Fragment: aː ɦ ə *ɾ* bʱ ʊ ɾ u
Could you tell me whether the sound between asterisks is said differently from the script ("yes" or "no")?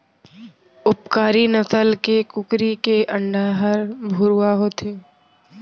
no